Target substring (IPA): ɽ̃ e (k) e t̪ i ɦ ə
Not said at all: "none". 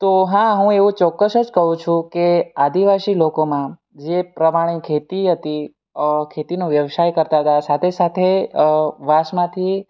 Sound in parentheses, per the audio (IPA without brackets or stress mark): kʰ